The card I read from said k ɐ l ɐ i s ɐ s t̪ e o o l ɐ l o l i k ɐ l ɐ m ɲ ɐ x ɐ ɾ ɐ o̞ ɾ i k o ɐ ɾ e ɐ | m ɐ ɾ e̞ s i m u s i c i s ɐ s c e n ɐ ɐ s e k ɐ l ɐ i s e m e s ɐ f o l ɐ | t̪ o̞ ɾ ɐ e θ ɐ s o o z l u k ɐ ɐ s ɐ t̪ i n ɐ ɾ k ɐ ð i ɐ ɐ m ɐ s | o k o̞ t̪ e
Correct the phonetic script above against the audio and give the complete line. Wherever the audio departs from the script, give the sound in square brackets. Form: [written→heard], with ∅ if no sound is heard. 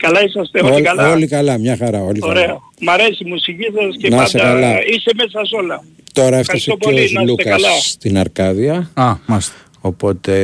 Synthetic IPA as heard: k ɐ l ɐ i s ɐ s t̪ e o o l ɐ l o l i k ɐ l ɐ m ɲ ɐ x ɐ ɾ ɐ o̞ [ɾ→l] i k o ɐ ɾ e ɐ | m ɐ ɾ e̞ s i m u s i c i s ɐ s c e n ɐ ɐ s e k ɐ l ɐ i s e m e s ɐ [f→s] o l ɐ | t̪ o̞ ɾ ɐ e [θ→f] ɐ s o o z l u k ɐ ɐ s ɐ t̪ i n ɐ ɾ k ɐ ð i ɐ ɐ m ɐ s | o [k→p] o̞ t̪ e